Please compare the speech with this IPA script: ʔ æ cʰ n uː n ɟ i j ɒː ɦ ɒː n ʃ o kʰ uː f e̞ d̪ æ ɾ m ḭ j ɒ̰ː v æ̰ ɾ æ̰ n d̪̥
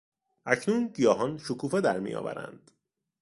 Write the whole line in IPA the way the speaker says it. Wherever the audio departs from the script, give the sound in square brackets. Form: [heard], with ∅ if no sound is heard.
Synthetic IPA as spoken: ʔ æ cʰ n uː n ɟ i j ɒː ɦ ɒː n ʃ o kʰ uː f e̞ d̪ æ ɾ m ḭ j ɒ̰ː v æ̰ ɾ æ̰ n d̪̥